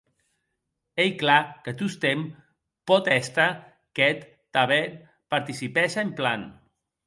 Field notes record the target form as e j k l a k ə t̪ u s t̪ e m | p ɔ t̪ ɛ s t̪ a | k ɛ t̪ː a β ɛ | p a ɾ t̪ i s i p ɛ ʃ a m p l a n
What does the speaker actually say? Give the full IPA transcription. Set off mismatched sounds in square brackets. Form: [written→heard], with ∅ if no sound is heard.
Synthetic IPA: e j k l a k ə t̪ u s t̪ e m | p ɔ t̪ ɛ s t̪ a | k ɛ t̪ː a β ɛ | p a ɾ t̪ i s i p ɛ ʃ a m p l a n